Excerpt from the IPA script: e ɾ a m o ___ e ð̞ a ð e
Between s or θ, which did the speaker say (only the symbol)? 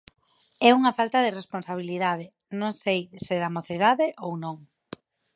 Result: θ